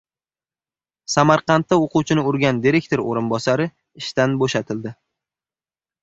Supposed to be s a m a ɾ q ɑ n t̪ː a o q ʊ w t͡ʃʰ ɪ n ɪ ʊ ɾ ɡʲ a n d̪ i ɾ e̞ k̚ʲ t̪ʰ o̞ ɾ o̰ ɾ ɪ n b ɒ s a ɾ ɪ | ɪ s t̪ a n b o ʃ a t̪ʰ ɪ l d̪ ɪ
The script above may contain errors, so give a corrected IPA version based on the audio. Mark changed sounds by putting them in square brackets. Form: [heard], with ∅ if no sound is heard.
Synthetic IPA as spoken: s a m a ɾ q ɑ n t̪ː a o q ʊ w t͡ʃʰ ɪ n ɪ ʊ ɾ ɡʲ a n d̪ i ɾ e̞ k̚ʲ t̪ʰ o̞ ɾ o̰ ɾ ɪ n b ɒ s a ɾ ɪ | ɪ [ʃ] t̪ a n b o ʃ a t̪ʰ ɪ l d̪ ɪ